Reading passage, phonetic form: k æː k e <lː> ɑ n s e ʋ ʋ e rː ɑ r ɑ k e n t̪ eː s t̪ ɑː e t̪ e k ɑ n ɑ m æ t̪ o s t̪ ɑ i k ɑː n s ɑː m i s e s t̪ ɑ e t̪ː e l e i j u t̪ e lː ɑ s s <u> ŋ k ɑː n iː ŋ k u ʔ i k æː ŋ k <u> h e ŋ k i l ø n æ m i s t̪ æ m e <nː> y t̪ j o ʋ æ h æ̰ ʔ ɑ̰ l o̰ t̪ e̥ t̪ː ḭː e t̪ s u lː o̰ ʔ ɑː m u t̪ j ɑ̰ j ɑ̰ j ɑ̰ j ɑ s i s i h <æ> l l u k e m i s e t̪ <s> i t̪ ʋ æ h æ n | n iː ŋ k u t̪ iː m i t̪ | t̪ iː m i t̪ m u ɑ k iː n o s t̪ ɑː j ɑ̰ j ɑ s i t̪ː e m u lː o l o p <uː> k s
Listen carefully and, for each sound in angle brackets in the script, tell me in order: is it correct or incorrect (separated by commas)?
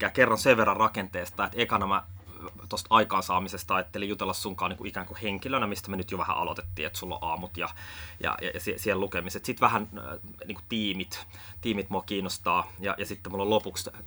incorrect, correct, correct, incorrect, incorrect, correct, incorrect